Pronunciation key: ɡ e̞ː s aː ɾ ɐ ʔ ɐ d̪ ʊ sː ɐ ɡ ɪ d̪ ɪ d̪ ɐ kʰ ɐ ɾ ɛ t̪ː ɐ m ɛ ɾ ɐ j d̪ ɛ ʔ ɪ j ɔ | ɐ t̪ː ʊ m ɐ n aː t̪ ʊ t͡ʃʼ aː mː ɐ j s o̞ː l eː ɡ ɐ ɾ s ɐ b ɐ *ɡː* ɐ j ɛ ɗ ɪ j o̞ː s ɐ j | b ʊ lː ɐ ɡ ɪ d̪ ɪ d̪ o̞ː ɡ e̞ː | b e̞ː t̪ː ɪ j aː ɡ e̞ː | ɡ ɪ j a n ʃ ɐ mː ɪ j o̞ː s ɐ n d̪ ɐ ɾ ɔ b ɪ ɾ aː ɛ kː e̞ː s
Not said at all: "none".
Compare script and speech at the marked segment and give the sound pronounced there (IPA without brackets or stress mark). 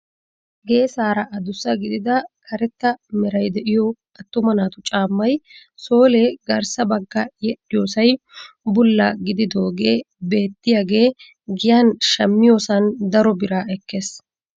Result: ɡː